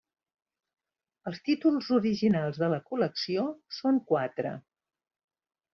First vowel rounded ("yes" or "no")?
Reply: no